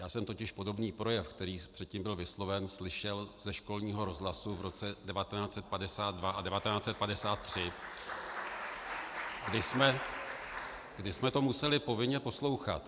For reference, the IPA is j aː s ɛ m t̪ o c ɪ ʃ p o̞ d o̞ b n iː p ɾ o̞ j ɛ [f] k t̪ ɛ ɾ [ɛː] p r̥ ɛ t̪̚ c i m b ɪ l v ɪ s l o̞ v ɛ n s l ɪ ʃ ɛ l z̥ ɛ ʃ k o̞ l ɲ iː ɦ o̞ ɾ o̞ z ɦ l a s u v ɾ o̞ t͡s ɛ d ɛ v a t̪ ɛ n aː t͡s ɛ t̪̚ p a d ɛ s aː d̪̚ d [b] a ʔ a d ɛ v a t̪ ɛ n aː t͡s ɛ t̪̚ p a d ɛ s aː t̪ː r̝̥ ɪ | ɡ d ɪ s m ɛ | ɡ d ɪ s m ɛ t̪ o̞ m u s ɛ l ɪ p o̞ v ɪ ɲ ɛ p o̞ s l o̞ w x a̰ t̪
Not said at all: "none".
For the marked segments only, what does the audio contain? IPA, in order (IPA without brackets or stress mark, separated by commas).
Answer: f, iː, v